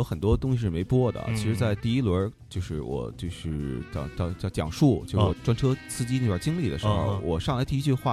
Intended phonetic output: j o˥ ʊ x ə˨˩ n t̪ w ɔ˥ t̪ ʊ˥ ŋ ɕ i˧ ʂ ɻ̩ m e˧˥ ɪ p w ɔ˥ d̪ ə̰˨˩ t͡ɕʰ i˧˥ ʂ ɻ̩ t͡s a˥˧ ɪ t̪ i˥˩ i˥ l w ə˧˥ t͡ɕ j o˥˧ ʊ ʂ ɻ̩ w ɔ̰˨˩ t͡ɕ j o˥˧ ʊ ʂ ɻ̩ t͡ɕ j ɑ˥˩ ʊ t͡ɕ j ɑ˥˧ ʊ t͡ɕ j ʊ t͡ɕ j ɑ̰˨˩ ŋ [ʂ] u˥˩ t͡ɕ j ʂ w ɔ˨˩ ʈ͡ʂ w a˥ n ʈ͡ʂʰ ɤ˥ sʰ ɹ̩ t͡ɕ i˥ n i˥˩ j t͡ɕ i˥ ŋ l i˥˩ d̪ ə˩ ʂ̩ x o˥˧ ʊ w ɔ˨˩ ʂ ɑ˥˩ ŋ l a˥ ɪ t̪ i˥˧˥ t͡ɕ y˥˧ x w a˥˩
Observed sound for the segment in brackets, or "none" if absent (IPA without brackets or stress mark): ʂ